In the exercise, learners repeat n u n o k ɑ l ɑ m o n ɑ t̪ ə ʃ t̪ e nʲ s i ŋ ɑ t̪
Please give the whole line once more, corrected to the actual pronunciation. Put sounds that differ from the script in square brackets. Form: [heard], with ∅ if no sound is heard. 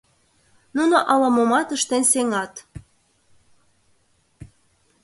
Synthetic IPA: n u n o [ʔ] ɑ l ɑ m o [m] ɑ t̪ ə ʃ t̪ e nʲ s [e] ŋ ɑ t̪